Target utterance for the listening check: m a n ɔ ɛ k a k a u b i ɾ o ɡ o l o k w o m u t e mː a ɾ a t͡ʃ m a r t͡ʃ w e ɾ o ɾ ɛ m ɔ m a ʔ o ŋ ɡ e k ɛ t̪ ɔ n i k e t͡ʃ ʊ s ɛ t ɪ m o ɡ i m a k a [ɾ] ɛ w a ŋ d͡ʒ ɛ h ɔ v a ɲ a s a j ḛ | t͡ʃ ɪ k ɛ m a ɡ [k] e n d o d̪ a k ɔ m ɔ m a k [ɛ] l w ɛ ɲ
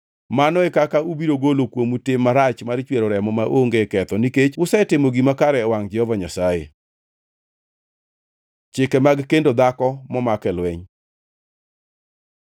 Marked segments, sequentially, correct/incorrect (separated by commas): correct, correct, correct